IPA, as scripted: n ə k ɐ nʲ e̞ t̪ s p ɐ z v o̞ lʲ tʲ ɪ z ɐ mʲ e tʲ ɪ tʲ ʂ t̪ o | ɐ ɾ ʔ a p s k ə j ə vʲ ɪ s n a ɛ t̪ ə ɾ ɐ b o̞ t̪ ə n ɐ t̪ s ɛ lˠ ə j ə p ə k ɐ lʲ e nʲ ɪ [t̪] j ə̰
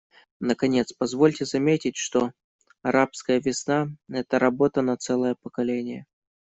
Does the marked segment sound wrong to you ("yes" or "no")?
yes